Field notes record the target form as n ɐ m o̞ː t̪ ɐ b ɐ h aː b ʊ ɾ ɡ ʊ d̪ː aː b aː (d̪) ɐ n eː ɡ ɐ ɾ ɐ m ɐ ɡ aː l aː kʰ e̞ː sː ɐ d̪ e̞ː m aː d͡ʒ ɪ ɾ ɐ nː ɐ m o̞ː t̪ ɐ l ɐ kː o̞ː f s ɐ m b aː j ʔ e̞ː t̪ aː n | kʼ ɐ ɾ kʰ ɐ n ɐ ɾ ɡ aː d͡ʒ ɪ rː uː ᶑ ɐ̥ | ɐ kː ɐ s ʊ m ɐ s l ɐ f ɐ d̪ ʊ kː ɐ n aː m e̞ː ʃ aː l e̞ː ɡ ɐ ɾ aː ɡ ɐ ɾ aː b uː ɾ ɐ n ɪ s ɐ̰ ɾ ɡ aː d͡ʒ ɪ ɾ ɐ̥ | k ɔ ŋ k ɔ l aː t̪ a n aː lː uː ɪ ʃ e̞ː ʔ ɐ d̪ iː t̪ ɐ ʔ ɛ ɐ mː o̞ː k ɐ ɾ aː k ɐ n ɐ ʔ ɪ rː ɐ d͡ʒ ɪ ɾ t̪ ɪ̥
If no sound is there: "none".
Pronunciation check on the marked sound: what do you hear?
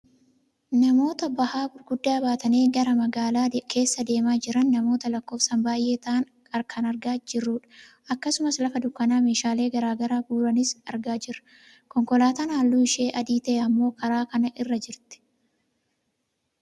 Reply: t̪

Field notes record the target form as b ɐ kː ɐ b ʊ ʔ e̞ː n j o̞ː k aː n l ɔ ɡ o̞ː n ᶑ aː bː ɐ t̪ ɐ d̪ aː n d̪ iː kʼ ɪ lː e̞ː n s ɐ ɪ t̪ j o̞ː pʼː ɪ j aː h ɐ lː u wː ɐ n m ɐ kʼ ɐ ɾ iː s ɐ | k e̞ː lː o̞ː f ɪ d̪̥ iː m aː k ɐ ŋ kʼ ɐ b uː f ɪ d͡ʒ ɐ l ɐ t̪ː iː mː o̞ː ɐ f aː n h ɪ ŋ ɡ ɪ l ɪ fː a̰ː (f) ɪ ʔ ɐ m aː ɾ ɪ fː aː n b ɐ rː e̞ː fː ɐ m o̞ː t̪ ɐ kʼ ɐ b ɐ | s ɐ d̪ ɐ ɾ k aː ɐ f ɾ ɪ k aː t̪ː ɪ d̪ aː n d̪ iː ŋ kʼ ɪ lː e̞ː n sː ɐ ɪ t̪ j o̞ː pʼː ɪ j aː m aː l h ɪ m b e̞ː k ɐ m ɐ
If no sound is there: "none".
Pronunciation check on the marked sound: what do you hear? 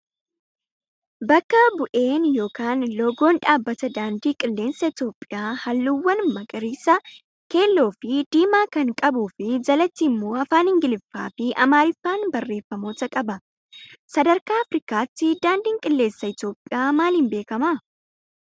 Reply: f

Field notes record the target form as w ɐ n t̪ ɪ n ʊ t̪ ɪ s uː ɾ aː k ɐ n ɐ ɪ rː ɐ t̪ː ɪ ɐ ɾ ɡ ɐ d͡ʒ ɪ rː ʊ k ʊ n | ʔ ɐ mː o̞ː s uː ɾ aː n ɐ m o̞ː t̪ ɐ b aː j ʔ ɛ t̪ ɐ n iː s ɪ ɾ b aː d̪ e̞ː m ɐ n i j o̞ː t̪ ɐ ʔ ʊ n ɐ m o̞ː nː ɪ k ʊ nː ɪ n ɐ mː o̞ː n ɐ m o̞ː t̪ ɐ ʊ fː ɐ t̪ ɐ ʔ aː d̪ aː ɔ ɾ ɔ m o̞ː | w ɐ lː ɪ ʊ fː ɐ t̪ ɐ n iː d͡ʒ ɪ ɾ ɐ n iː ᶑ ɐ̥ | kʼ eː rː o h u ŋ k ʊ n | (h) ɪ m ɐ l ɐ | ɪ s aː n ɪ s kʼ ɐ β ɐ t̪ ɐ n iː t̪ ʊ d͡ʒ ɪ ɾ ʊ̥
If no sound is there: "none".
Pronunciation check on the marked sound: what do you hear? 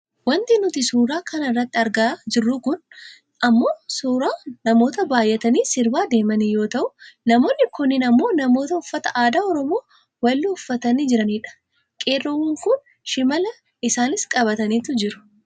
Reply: ʃ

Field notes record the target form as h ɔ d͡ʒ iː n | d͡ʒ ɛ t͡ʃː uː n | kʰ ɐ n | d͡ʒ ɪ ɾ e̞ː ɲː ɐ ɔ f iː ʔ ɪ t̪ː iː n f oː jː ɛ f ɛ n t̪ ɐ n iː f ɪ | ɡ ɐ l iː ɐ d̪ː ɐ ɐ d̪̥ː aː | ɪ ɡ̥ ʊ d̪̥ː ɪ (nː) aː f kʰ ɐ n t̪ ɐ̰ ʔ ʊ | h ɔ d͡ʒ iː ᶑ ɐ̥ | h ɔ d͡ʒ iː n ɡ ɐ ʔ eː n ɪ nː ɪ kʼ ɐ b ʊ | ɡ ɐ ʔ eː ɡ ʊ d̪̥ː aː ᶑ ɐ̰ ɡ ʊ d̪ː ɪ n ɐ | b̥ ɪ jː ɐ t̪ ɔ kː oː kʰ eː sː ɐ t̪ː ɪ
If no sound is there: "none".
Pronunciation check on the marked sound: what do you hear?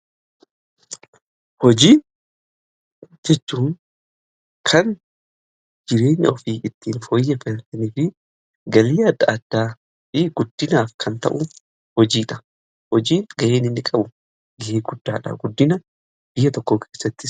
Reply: n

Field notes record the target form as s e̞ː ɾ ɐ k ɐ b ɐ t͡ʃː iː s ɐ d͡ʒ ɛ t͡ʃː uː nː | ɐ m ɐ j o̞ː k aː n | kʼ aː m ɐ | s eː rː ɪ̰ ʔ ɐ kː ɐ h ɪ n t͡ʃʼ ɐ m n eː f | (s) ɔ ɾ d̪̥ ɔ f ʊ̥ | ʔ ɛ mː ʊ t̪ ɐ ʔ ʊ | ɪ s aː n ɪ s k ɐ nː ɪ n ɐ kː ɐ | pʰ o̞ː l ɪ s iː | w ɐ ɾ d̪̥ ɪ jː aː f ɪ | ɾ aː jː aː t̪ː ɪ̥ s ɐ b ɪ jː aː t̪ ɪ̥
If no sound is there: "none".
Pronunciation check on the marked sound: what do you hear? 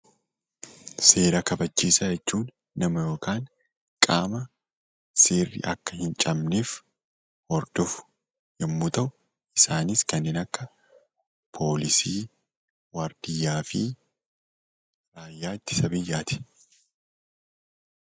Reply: h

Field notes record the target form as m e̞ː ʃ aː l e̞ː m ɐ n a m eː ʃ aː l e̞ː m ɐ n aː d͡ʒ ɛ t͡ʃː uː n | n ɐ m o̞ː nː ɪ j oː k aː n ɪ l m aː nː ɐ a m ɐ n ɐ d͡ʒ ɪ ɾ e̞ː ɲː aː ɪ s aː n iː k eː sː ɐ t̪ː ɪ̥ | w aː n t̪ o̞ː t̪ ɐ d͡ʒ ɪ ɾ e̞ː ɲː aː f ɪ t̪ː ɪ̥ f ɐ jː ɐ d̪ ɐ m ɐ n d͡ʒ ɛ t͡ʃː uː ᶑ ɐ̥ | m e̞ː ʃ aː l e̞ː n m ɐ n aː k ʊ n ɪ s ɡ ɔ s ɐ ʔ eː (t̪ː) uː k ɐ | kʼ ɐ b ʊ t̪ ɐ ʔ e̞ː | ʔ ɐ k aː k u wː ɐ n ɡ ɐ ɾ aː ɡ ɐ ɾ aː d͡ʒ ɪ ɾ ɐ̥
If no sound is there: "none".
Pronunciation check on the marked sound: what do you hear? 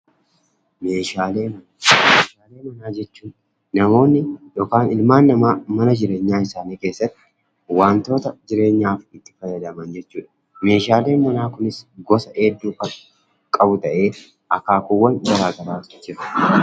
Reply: d̪ː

